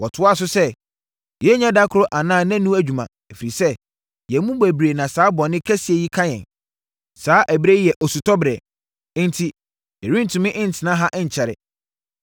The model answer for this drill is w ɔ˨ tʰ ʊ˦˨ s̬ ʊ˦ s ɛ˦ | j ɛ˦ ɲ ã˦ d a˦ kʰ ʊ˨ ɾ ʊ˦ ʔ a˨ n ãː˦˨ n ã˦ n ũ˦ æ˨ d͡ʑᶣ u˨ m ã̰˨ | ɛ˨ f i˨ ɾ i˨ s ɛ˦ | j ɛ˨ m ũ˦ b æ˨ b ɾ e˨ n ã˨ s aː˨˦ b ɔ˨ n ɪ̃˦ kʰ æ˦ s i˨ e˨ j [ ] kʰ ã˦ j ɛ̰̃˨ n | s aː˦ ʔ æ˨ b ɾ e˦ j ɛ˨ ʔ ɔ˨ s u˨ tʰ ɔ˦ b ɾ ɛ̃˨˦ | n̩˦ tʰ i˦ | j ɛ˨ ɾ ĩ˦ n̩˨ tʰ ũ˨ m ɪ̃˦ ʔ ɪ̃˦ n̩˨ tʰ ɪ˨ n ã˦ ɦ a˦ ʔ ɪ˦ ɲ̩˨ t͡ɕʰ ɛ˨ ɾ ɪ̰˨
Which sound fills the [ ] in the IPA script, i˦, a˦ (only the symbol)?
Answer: i˦